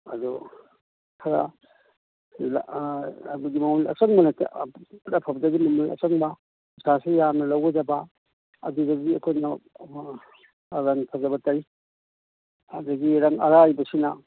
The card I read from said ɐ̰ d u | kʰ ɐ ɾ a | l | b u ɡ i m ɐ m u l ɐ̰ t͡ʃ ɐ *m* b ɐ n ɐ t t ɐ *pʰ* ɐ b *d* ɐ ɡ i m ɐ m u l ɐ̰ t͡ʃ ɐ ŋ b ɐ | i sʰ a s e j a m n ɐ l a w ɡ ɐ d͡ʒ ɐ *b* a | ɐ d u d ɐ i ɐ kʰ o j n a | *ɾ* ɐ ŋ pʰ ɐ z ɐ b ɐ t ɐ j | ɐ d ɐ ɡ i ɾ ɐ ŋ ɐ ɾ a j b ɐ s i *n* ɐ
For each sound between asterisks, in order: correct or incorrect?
incorrect, correct, correct, correct, correct, correct

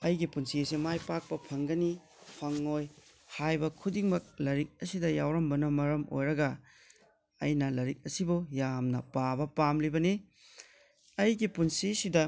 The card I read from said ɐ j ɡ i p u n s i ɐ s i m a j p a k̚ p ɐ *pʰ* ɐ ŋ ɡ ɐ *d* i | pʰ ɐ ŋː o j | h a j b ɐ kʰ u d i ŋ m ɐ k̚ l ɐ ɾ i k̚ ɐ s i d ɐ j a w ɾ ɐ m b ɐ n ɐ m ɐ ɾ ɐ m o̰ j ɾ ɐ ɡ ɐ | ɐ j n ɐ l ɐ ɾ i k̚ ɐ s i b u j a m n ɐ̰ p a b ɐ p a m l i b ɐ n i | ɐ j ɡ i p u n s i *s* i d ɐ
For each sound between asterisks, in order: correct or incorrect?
correct, incorrect, correct

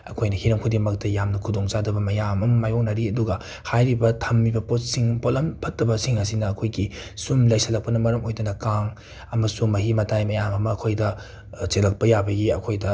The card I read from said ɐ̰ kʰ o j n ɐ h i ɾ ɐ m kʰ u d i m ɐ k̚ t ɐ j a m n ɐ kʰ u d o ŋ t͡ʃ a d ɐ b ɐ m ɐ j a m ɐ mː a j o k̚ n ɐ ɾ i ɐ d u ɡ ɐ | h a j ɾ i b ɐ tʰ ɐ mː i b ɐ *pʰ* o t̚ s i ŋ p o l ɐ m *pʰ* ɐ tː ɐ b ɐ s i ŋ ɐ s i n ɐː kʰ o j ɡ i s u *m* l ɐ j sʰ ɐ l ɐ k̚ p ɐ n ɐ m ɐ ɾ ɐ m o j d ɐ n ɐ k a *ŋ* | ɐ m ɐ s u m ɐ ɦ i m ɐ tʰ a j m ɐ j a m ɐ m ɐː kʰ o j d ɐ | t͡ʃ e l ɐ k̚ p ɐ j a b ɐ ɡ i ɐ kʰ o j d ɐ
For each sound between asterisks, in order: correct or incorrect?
incorrect, correct, correct, correct

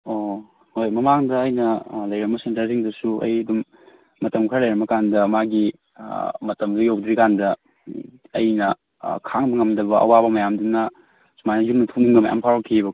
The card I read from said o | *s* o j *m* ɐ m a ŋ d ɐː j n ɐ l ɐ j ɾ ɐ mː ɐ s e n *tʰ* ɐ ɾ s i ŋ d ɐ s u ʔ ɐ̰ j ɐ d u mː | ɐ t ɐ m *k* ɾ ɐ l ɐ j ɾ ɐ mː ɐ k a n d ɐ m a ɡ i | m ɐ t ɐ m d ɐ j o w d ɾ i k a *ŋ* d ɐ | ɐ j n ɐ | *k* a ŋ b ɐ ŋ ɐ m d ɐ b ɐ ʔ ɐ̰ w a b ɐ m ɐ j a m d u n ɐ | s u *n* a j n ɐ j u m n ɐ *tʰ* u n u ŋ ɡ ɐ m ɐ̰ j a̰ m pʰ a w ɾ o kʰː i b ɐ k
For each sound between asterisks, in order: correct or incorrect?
incorrect, correct, incorrect, incorrect, incorrect, incorrect, incorrect, correct

